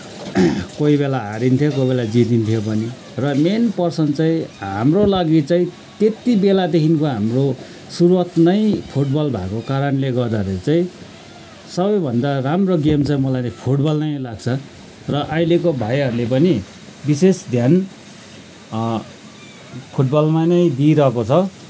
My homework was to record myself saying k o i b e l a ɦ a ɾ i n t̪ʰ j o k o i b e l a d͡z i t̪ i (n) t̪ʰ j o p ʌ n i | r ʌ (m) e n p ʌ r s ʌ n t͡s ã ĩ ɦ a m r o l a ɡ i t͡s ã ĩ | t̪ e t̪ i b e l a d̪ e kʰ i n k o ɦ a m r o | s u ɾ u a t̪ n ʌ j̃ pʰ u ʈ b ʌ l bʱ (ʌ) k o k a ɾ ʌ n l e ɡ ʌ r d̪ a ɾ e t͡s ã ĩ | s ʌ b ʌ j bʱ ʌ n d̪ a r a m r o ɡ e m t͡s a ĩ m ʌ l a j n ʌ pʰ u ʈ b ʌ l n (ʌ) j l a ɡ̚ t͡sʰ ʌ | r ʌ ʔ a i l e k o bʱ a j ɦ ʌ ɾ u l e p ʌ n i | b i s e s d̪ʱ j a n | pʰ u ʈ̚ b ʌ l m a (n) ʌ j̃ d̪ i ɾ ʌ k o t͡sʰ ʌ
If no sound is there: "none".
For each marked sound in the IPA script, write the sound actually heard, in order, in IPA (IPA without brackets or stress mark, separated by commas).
n, m, a, ʌ, n